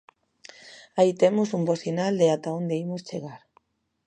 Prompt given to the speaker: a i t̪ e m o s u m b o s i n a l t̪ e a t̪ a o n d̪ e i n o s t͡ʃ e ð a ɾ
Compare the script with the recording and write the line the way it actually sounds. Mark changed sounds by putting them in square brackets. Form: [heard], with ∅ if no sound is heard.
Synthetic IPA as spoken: a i t̪ e m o s u m b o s i n a l [d̪] e a t̪ a o n d̪ e i [m] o s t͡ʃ e [ɣ] a ɾ